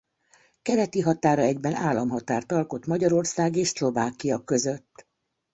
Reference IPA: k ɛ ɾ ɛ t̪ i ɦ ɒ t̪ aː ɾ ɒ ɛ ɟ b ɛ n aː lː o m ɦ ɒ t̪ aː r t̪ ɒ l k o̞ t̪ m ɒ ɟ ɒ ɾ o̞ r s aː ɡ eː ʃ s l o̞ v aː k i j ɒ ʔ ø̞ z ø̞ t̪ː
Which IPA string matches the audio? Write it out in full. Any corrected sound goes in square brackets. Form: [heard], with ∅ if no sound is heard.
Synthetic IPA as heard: k ɛ ɾ ɛ t̪ i ɦ ɒ t̪ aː ɾ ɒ ɛ ɟ b ɛ n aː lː [ɒ] m ɦ ɒ t̪ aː r t̪ ɒ l k o̞ t̪ m ɒ ɟ ɒ ɾ o̞ r s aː ɡ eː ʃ s l o̞ v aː k i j ɒ [k] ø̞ z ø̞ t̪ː